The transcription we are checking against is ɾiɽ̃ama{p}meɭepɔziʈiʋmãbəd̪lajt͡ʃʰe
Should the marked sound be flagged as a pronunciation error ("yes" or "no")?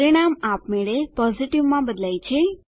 no